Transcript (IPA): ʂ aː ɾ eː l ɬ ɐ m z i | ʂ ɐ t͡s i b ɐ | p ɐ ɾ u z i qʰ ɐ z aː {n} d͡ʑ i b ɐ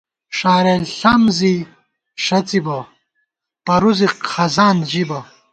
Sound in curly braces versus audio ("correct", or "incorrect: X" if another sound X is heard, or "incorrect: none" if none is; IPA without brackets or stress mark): correct